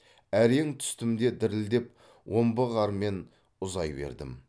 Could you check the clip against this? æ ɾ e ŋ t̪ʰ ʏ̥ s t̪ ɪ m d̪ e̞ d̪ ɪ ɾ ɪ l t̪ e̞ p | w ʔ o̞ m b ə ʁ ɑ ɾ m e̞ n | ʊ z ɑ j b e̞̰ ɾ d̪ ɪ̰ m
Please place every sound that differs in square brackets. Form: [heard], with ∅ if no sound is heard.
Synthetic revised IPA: æ ɾ e ŋ t̪ʰ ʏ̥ s t̪ ɪ m d̪ e̞ d̪ ɪ ɾ ɪ l [d̪] e̞ p | w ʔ o̞ m b ə ʁ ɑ ɾ m e̞ n | ʊ z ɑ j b e̞̰ ɾ d̪ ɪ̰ m